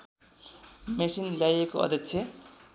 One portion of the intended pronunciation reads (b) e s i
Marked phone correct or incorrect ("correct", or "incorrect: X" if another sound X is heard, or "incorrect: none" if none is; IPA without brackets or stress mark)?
incorrect: m